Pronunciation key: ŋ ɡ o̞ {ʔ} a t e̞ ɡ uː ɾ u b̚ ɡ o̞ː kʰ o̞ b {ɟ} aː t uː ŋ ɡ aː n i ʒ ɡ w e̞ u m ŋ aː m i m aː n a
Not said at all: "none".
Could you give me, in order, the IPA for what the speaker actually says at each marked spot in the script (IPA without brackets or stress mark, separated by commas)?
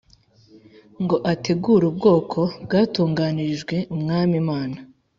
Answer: ʔ, ɡ